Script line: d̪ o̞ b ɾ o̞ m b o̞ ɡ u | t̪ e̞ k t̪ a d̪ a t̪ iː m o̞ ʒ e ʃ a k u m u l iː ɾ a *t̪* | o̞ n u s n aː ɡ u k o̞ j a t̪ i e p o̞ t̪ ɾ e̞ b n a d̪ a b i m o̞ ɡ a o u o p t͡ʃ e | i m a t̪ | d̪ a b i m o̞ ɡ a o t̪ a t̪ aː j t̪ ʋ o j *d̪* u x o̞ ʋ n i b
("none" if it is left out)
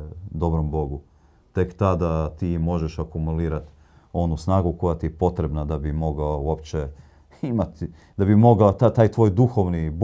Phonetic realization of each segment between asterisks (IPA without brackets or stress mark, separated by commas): t̪, d̪